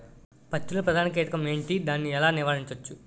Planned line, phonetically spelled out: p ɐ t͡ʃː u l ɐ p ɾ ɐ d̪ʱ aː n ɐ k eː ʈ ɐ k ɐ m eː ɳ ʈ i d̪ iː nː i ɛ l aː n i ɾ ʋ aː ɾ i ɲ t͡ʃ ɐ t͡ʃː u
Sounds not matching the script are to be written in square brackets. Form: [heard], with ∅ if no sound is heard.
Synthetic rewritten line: p ɐ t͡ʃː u l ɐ p ɾ ɐ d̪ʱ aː n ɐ k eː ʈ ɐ k ɐ m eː ɳ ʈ i d̪ [aː] nː i ɛ l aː n i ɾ ʋ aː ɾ i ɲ t͡ʃ ɐ t͡ʃː u